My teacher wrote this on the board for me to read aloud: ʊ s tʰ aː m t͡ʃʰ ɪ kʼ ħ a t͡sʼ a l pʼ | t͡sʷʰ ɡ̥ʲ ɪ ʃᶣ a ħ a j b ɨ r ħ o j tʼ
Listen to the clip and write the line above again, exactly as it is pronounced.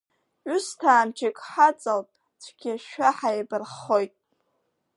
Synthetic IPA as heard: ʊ s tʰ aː m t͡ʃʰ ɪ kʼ ħ a t͡sʼ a l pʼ | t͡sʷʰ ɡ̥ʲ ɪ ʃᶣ a ħ a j b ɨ r χ o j tʼ